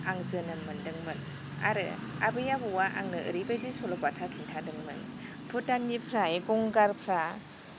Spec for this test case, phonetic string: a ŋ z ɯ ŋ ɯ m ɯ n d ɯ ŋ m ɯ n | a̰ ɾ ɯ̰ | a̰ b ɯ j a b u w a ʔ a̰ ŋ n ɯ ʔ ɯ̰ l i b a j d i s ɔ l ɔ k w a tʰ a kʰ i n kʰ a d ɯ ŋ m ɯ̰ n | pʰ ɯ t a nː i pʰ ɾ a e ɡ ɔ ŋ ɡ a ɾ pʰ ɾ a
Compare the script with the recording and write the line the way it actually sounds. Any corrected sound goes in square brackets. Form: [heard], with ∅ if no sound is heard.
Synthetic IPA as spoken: a ŋ z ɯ [n] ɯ m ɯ n d ɯ ŋ m ɯ n | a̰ ɾ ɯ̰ | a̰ b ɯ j a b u w a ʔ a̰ ŋ n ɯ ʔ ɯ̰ [ɾ] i b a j d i s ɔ l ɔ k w a tʰ a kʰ i n [tʰ] a d ɯ ŋ m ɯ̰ n | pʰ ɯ t a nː i pʰ ɾ a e ɡ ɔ ŋ ɡ a ɾ pʰ ɾ a